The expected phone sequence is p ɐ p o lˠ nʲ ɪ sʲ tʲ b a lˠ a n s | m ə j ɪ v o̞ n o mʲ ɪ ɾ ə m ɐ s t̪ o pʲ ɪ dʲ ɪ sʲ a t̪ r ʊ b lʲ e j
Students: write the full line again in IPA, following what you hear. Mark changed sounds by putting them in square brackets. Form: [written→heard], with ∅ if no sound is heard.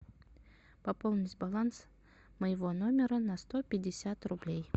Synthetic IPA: p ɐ p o lˠ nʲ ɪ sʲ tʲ b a lˠ a n s | m ə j ɪ v o̞ n o mʲ ɪ ɾ ə [m→n] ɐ s t̪ o pʲ ɪ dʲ ɪ sʲ a t̪ r ʊ b lʲ e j